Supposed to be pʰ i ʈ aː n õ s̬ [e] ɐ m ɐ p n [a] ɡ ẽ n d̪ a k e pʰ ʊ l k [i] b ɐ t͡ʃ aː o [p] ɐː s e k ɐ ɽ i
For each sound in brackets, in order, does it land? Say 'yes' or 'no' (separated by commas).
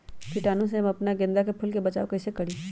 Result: yes, yes, no, no